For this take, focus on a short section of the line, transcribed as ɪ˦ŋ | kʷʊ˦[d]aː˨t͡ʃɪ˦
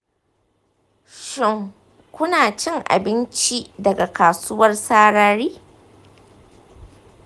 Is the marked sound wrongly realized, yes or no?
yes